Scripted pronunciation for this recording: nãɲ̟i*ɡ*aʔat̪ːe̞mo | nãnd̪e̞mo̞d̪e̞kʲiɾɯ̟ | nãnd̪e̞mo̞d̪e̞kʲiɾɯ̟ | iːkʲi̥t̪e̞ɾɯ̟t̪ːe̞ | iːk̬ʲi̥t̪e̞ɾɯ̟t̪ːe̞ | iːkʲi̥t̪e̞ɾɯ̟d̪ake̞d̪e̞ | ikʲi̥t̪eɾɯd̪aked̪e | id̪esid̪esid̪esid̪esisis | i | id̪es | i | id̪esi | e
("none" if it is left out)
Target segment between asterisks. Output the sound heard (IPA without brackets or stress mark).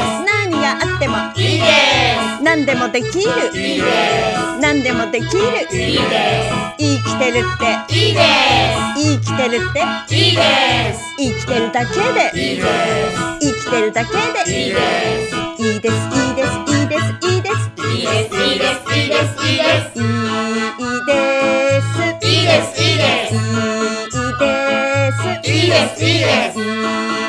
ɡ